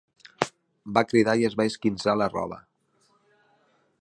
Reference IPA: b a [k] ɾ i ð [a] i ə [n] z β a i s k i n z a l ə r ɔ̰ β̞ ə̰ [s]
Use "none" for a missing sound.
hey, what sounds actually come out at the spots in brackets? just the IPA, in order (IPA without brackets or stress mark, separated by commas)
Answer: k, a, none, none